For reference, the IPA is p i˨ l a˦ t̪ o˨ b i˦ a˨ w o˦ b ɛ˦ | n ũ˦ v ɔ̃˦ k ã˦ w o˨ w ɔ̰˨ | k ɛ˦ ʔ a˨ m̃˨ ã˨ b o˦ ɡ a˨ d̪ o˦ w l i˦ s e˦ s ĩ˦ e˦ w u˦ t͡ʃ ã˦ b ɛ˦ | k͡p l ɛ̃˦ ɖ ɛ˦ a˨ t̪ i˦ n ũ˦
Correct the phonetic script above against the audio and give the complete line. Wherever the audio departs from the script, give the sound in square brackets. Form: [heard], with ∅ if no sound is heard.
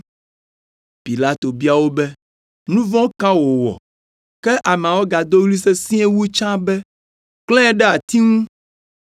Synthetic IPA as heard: p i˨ l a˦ t̪ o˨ b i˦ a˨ w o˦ b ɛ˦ | n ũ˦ v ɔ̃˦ k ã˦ w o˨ w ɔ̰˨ | k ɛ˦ ʔ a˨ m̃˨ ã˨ [w] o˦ ɡ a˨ d̪ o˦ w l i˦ s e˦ s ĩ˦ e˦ w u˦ t͡ʃ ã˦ b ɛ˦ | k͡p l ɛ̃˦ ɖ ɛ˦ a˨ t̪ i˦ [ŋ] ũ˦